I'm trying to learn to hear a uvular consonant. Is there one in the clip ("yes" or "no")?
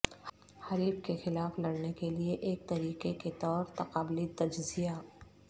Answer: yes